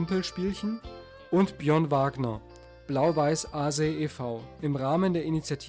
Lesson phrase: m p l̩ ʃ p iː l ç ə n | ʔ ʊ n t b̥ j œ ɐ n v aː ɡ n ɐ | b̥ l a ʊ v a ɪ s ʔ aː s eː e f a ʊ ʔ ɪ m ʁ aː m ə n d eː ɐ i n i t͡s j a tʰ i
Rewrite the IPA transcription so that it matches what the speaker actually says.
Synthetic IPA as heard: m p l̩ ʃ p iː l ç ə n | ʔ ʊ n t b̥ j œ ɐ n v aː ɡ n ɐ | b̥ l a ʊ v a ɪ s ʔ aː z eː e f a ʊ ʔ ɪ m ʁ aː m ə n d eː ɐ i n i t͡s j a tʰ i